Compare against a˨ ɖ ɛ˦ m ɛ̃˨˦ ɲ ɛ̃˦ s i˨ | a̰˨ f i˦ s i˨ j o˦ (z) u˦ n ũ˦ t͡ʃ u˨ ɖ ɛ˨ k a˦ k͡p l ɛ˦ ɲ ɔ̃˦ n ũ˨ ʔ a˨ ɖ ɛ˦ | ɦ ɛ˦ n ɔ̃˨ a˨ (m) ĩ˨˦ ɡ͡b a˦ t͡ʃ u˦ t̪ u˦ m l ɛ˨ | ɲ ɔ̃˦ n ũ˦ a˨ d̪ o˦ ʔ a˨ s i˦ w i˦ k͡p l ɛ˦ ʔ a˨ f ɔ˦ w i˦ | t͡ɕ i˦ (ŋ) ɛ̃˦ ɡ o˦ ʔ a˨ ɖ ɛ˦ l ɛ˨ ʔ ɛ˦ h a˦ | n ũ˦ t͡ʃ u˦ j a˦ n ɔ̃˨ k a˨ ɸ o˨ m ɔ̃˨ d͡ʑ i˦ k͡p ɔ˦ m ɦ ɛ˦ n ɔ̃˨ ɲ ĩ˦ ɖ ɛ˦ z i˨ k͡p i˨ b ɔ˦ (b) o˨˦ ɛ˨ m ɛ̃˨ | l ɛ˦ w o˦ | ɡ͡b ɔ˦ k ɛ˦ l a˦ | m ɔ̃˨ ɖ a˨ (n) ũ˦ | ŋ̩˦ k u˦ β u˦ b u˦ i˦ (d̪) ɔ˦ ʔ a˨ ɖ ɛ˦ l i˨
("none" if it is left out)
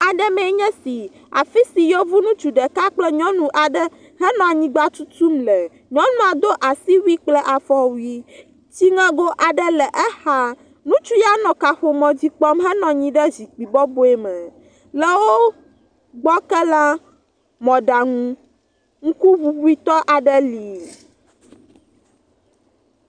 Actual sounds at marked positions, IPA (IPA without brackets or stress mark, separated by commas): v, ɲ, ŋ, b, ŋ, t̪